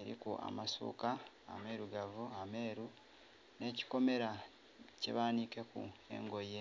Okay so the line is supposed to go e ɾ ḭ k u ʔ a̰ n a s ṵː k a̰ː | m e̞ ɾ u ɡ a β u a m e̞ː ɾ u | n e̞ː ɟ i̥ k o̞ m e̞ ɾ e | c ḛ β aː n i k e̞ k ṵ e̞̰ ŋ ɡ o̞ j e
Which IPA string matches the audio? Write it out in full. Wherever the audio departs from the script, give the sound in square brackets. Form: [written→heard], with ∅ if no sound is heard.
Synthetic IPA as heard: e ɾ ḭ k u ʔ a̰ [n→m] a s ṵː k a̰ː | m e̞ ɾ u ɡ a [β→v] u a m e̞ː ɾ u | n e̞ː [ɟ→c] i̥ k o̞ m e̞ ɾ [e→a] | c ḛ β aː n i k e̞ k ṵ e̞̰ ŋ ɡ o̞ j e